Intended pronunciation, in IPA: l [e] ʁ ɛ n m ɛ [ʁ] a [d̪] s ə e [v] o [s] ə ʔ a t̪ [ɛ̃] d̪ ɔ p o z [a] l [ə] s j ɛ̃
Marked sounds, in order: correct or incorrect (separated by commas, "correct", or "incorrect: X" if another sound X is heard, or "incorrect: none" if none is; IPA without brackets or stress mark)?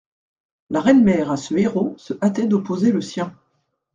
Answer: incorrect: a, correct, incorrect: none, incorrect: ʁ, correct, incorrect: ɛ, incorrect: e, correct